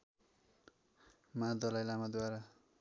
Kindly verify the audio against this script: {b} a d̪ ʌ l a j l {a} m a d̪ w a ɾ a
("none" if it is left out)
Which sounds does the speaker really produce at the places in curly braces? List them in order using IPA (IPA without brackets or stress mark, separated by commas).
m, a